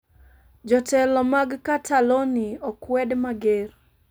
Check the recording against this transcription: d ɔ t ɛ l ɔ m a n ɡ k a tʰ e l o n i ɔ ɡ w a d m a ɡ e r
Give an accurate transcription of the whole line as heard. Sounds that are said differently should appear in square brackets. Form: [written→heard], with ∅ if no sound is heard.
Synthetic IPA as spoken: [d→d͡ʒ] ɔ t ɛ l ɔ m a [n→∅] ɡ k a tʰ [e→a] l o n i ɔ [ɡ→k] w [a→ɛ] d m a ɡ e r